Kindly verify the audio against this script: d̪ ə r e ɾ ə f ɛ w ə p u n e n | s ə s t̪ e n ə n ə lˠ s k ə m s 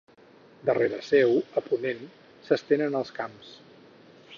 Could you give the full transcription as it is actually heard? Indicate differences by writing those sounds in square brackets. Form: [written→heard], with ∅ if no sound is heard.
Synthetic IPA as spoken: d̪ ə r e ɾ ə [f→s] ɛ w ə p u n e n | s ə s t̪ e n ə n ə lˠ s k [ə→a] m s

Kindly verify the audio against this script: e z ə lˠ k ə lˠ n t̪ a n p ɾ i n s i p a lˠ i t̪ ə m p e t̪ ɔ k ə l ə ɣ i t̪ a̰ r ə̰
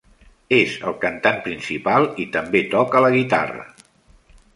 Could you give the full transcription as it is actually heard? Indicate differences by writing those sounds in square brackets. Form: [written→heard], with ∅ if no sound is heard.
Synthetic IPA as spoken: e z ə lˠ k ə [lˠ→∅] n t̪ a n p ɾ i n s i p a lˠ i t̪ ə m [p→b] e t̪ ɔ k ə l ə ɣ i t̪ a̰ r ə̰

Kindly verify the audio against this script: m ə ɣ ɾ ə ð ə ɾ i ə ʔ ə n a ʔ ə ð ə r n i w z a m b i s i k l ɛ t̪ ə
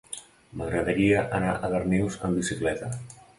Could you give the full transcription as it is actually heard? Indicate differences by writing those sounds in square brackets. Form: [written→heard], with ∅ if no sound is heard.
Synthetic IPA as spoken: m ə ɣ ɾ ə ð ə ɾ i ə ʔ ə n a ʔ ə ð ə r n i w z [a→ə] m b i s i k l ɛ t̪ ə

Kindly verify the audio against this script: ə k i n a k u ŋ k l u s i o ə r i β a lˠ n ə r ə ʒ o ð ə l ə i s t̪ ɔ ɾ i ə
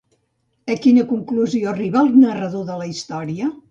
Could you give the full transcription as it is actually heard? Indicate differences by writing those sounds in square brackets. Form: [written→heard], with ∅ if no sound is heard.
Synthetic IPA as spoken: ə k i n [a→ə] k u ŋ k l u [s→z] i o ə r i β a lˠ n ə r ə [ʒ→ð] o ð ə l ə i s t̪ ɔ ɾ i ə

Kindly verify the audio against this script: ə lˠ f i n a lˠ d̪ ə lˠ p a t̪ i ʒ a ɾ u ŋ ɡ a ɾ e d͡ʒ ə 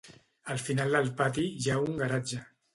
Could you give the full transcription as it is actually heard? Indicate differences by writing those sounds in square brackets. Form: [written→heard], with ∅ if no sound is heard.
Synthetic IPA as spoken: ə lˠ f i n a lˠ d̪ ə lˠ p a t̪ i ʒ a [ɾ→∅] u ŋ ɡ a ɾ [e→a] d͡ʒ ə

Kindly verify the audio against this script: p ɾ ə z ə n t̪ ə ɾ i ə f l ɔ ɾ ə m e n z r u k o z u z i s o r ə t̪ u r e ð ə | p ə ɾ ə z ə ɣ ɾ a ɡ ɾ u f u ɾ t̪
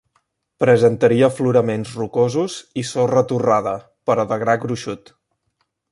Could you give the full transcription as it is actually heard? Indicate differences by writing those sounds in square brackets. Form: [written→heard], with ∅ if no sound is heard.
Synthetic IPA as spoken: p ɾ ə z ə n t̪ ə ɾ i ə f l [ɔ→u] ɾ ə m e n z r u k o z u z i s o r ə t̪ u r [e→a] ð ə | p ə ɾ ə [z→ð] ə ɣ ɾ a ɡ ɾ u [f→ʃ] u [ɾ→∅] t̪

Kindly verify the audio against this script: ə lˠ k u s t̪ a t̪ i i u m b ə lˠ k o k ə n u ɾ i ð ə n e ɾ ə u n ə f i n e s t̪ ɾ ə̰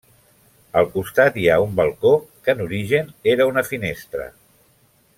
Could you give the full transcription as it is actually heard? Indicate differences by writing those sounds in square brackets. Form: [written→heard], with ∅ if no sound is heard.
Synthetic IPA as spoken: ə lˠ k u s t̪ a t̪ i [i→a] u m b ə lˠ k o k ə n u ɾ i [ð→ʒ] ə n e ɾ ə u n ə f i n e s t̪ ɾ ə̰

